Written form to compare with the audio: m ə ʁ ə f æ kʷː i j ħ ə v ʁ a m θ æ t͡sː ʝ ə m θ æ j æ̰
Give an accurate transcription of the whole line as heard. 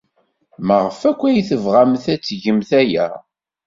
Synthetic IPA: m ə ʁ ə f æ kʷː æ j θ ə v ʁ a m θ æ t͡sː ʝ ə m θ æ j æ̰